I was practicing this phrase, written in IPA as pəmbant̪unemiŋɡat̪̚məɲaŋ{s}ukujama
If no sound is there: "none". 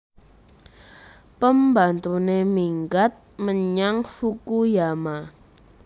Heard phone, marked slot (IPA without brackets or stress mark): f